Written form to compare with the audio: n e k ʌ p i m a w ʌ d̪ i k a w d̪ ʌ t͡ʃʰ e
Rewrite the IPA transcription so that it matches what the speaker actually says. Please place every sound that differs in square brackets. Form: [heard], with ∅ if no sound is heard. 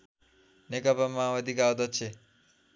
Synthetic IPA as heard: n e k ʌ p [a] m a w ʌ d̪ i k a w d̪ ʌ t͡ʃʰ e